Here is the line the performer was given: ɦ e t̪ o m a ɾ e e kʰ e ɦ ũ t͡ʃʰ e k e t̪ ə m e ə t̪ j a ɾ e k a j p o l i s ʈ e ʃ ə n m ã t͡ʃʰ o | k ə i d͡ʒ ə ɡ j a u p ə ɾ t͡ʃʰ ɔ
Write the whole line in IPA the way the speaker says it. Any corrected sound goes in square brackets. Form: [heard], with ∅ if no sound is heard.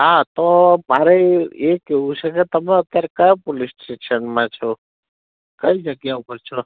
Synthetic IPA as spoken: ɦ [a] t̪ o m a ɾ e e [k] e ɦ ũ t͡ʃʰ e k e t̪ ə m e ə t̪ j a ɾ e k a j p o l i s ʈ e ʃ ə n m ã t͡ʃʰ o | k ə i d͡ʒ ə ɡ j a u p ə ɾ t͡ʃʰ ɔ